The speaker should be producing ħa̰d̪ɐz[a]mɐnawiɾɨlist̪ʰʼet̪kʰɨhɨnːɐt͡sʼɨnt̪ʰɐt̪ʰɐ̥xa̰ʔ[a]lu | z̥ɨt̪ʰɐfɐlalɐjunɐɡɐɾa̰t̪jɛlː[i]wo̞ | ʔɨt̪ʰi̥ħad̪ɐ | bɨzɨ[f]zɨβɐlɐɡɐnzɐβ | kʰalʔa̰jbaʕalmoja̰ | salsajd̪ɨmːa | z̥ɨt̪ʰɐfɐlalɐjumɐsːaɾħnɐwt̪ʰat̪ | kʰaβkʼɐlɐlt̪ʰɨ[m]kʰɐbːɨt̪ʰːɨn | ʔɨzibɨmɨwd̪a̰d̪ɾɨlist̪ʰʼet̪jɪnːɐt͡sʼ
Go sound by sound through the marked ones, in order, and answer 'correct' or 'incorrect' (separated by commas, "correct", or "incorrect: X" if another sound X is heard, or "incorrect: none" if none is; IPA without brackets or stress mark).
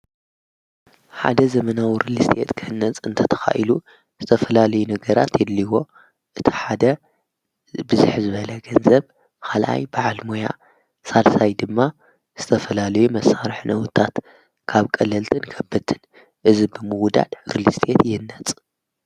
incorrect: ɐ, incorrect: i, correct, incorrect: ħ, incorrect: n